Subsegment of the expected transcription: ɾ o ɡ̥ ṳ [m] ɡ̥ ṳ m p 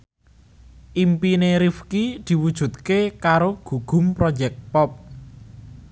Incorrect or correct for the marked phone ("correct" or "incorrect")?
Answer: incorrect